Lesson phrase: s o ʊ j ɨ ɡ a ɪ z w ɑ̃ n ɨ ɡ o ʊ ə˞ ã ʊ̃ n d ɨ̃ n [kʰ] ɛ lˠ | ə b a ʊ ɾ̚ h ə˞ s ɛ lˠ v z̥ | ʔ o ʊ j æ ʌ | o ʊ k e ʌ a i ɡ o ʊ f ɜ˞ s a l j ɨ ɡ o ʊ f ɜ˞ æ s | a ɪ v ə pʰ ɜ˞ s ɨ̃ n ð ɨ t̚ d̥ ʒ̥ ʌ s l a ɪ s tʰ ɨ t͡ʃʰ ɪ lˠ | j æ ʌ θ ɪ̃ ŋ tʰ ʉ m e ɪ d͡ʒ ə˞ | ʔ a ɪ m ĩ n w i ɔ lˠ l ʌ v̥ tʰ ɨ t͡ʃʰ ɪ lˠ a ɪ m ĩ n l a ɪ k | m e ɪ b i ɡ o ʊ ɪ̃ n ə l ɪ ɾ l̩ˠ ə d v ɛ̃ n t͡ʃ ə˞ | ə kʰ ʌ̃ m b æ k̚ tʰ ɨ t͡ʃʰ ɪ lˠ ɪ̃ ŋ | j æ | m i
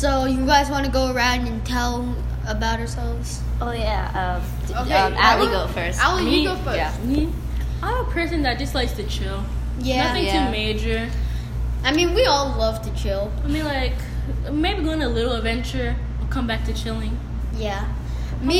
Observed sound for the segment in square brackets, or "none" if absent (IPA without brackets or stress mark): tʰ